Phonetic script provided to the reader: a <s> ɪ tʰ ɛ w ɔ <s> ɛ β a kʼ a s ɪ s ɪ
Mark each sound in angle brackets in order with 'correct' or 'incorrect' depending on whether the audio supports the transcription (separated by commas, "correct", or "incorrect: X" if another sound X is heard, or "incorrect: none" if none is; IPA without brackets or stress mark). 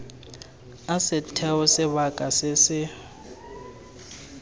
correct, correct